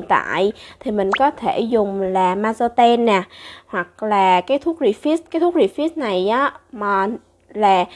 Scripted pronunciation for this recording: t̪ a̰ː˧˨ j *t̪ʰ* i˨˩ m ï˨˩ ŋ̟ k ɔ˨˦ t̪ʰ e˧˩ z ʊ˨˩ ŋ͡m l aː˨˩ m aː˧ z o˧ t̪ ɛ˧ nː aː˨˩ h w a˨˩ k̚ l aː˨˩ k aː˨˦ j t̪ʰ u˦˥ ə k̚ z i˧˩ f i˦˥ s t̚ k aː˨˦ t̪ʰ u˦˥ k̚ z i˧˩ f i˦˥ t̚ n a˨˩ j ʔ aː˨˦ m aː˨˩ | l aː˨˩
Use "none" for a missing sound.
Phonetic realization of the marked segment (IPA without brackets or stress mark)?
t̪ʰ